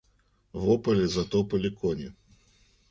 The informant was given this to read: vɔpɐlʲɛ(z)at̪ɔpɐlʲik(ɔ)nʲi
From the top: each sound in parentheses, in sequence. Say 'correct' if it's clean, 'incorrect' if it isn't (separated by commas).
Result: correct, correct